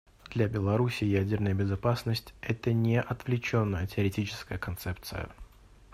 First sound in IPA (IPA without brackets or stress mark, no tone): d̪